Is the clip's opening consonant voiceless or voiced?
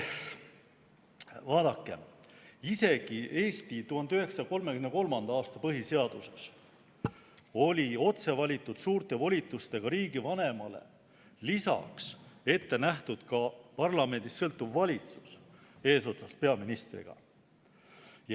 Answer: voiced